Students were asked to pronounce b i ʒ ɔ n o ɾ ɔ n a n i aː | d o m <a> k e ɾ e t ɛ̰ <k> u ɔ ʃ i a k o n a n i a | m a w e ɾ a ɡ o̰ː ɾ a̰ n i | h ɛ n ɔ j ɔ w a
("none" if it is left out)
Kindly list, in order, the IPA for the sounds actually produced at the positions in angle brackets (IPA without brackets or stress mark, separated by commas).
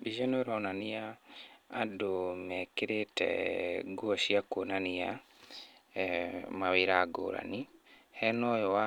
ɛ, ɡ